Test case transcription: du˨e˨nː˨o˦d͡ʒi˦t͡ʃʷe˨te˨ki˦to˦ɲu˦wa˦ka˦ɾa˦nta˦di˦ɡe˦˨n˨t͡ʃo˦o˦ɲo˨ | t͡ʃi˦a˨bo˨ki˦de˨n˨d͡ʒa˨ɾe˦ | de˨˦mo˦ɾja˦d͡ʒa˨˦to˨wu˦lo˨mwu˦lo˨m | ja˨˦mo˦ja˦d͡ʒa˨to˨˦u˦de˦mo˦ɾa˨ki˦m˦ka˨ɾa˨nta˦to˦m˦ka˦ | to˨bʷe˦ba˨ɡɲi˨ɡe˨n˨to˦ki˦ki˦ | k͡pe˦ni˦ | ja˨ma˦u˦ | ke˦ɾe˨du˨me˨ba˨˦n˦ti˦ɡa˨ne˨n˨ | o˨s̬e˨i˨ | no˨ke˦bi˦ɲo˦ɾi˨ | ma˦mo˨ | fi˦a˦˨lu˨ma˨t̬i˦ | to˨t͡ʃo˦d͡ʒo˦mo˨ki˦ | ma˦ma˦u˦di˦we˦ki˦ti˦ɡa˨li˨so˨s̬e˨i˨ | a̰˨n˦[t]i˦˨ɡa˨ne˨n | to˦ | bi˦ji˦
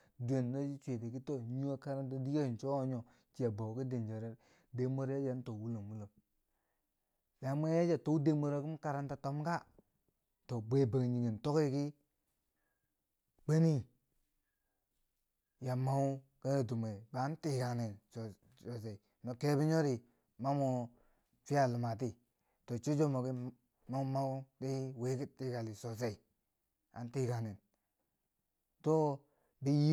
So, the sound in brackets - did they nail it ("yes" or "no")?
yes